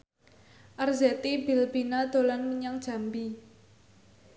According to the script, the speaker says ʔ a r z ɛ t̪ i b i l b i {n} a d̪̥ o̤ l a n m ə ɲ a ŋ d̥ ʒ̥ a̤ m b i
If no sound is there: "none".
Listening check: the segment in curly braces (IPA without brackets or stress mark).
n